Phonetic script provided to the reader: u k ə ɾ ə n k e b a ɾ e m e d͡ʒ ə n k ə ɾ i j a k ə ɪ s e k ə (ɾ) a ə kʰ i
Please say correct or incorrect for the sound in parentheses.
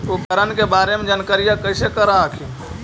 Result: correct